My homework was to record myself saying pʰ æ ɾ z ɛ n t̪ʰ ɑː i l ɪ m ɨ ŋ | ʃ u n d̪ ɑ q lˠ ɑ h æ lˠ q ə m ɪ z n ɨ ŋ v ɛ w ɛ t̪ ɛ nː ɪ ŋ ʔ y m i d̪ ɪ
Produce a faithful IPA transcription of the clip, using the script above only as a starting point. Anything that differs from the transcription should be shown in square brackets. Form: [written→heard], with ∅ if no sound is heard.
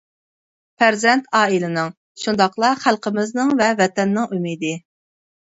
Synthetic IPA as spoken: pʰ æ ɾ z ɛ n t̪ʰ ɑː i l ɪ [m→n] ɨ ŋ | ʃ u n d̪ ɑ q lˠ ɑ [h→χ] æ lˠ q ə m ɪ z n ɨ ŋ v ɛ [w→v] ɛ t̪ ɛ nː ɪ ŋ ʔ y m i d̪ ɪ